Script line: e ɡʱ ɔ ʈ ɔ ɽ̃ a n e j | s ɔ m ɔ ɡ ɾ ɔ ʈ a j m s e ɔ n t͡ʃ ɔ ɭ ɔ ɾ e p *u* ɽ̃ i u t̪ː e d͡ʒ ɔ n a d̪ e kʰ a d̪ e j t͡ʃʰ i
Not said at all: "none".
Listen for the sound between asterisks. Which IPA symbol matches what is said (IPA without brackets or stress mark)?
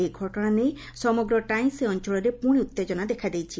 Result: u